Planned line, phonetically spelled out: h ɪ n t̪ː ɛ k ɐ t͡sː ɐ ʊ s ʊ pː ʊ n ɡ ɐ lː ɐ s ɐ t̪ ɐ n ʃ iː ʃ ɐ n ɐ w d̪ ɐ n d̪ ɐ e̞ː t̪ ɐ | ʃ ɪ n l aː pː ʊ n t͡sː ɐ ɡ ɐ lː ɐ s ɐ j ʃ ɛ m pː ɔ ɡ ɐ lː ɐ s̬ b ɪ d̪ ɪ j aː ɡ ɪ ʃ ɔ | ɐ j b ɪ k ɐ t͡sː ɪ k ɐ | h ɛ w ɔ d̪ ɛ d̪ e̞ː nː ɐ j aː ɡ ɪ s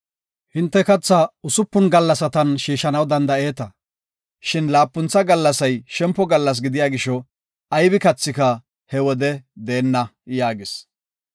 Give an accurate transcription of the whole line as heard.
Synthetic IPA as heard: h ɪ n t̪ː ɛ k ɐ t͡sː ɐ ʊ s ʊ pː ʊ n ɡ ɐ lː ɐ s ɐ t̪ ɐ n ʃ iː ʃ ɐ n ɐ w d̪ ɐ n d̪ ɐ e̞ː t̪ ɐ | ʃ ɪ n l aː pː ʊ n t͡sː ɐ ɡ ɐ lː ɐ s ɐ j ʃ ɛ m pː ɔ ɡ ɐ lː ɐ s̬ ɡ ɪ d̪ ɪ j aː ɡ ɪ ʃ ɔ | ɐ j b ɪ k ɐ t͡sː ɪ k ɐ | h ɛ w ɔ d̪ ɛ d̪ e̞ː nː ɐ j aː ɡ ɪ s